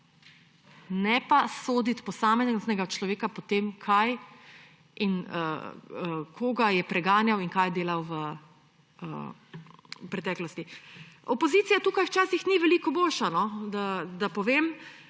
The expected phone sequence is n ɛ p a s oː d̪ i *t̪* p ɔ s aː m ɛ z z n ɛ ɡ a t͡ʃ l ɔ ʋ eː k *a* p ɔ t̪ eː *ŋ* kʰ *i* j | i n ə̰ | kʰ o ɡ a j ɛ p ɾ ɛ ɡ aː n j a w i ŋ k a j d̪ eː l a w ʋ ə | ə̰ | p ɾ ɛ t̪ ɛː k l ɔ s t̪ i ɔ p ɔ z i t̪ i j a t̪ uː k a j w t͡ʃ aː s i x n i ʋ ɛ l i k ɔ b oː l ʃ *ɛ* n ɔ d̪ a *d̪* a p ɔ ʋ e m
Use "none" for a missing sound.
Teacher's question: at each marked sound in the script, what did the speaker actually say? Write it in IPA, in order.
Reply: t̪, a, m, a, a, d̪

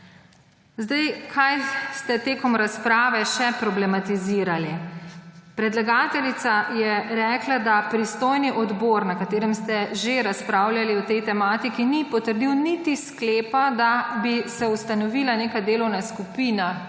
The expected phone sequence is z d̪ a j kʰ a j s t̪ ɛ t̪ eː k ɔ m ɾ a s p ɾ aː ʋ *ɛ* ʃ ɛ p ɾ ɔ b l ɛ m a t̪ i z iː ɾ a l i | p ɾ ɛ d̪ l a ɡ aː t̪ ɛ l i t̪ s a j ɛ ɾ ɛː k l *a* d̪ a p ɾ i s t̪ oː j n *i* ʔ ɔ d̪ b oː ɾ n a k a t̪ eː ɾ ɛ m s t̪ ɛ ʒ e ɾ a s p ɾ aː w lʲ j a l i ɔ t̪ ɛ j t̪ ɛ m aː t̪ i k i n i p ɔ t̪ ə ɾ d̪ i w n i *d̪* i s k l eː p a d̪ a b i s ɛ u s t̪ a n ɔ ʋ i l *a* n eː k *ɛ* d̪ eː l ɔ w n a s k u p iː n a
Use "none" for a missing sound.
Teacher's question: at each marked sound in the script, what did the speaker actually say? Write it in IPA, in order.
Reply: ɛ, a, i, t̪, a, a

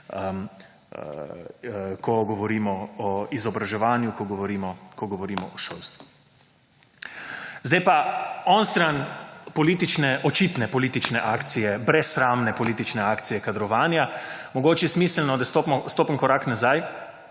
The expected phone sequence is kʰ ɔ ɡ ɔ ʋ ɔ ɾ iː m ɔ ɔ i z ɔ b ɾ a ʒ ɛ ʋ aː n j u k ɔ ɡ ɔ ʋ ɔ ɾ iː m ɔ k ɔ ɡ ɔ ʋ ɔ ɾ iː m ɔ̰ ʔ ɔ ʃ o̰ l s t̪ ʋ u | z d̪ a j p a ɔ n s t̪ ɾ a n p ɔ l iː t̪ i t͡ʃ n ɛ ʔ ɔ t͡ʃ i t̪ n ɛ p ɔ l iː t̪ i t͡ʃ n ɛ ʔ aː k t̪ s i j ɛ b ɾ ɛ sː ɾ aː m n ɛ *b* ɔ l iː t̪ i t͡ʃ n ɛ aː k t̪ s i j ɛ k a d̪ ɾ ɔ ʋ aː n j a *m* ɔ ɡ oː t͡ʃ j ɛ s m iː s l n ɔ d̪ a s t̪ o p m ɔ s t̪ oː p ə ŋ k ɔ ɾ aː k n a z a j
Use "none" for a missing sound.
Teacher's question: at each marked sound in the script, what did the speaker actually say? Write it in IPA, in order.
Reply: p, m

